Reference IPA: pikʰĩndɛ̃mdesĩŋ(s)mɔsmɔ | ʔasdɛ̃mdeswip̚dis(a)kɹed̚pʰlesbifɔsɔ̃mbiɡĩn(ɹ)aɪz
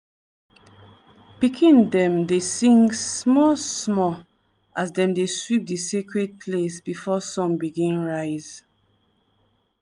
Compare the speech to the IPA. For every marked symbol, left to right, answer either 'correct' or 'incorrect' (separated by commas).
correct, incorrect, correct